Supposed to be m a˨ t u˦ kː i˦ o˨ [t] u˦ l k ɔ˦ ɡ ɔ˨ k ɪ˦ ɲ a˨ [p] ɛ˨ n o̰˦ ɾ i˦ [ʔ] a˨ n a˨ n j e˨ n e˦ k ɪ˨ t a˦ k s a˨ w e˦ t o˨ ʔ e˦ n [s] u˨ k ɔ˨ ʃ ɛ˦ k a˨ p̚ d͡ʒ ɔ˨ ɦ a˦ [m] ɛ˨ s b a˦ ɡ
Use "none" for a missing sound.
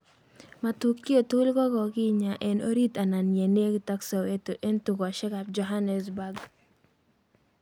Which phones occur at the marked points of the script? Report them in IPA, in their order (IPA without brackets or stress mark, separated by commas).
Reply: t, ʔ, t, t, n